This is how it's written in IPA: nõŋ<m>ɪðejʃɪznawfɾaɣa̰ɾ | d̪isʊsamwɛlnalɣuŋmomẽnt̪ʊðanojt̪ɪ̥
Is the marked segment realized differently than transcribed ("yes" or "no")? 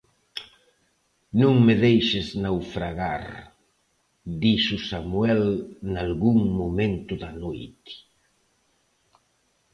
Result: no